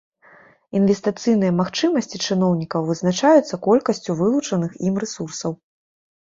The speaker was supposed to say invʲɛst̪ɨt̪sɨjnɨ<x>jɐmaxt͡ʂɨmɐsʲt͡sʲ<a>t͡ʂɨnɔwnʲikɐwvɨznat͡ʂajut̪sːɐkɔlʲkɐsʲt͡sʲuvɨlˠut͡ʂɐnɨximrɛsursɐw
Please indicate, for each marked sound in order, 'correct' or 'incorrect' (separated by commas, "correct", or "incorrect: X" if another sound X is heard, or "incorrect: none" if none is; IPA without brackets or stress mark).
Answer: incorrect: none, incorrect: i